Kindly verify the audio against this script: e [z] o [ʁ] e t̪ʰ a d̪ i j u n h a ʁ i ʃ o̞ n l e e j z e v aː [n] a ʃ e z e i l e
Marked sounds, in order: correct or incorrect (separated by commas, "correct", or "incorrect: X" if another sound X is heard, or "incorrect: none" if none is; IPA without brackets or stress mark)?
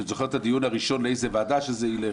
correct, incorrect: χ, incorrect: d